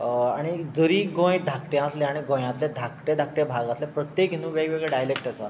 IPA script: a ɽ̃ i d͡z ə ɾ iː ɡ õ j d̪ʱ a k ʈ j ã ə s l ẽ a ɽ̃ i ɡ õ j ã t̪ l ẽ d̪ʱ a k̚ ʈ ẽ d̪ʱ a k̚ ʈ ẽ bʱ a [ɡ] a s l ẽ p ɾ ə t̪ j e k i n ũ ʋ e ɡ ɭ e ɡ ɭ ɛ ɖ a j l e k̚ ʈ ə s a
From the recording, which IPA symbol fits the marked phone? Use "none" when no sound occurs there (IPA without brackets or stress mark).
ɡ